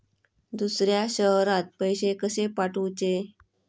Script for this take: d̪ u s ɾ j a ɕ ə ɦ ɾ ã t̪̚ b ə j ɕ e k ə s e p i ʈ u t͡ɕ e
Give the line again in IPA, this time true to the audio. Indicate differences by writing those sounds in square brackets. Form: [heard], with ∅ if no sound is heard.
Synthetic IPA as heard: d̪ u s ɾ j a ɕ ə ɦ ɾ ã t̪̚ [p] ə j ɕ e k ə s e p [a] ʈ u t͡ɕ e